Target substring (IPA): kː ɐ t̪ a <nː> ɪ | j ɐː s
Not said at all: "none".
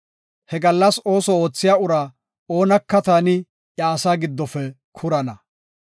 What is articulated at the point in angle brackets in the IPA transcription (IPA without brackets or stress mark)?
n